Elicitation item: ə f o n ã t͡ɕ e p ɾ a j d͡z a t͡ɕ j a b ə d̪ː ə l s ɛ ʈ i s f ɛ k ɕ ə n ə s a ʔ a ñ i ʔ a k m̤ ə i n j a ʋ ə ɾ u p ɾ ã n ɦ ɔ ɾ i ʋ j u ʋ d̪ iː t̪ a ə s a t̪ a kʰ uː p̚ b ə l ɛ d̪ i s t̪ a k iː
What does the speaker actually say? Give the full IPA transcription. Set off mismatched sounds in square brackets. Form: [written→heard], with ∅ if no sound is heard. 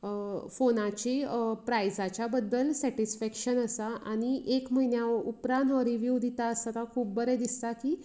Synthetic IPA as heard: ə f o n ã t͡ɕ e p ɾ a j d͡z a t͡ɕ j a b ə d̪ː ə l s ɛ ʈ i s f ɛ k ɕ ə n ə s a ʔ a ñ i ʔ [a→e] k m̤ ə i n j a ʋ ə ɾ u p ɾ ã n ɦ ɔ ɾ i ʋ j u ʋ d̪ [iː→i] t̪ a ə s a t̪ a kʰ uː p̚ b ə [l→ɾ] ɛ d̪ i s t̪ a k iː